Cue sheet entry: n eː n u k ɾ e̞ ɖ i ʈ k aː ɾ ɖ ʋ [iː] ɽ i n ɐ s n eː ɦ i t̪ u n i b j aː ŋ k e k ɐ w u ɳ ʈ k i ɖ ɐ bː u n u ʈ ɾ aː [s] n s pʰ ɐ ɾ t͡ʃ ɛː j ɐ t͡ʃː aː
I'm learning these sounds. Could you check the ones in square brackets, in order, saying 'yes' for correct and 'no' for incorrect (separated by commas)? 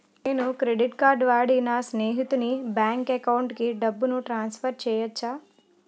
no, no